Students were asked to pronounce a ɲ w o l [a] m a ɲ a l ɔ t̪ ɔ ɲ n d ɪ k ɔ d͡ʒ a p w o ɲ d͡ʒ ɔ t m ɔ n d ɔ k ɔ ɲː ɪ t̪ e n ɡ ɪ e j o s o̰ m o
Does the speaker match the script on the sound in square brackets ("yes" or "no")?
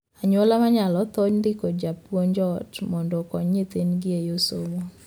yes